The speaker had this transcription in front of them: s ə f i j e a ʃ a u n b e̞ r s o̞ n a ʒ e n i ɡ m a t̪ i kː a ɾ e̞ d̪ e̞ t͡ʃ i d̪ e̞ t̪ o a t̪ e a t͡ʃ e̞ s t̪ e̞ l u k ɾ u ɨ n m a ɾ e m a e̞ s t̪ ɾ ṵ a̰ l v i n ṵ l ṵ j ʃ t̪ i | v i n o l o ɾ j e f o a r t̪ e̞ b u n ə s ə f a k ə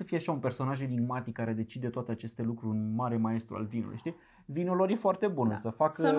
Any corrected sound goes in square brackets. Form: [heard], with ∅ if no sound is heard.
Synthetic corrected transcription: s ə f i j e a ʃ a u n [p] e̞ r s o̞ n a ʒ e n i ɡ m a t̪ i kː a ɾ e̞ d̪ e̞ t͡ʃ i d̪ e̞ t̪ o a t̪ e a t͡ʃ e̞ s t̪ e̞ l u k ɾ u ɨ n m a ɾ e m a e̞ s t̪ ɾ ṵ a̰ l v i n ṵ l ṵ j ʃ t̪ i | v i n o l o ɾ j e f o a r t̪ e̞ b u n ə s ə f a k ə